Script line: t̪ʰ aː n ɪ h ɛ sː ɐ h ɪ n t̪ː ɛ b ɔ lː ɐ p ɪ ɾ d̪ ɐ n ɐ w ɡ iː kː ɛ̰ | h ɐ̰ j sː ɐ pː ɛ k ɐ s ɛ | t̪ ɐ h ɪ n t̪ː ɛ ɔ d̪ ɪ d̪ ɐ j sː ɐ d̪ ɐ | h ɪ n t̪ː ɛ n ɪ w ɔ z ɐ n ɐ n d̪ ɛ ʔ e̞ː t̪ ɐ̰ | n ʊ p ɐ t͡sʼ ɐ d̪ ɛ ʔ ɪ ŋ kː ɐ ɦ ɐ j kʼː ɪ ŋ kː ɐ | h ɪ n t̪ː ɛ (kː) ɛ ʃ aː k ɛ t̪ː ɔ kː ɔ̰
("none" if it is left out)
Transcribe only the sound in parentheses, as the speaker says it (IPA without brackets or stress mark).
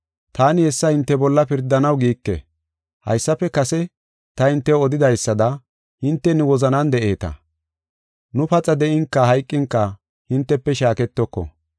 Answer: pː